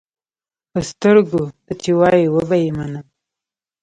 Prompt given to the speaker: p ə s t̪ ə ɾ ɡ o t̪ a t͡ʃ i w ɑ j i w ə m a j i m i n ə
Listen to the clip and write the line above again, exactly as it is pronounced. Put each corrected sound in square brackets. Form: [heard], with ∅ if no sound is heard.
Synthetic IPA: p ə s t̪ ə ɾ ɡ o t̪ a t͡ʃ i w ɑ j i w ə [b] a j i m [a] n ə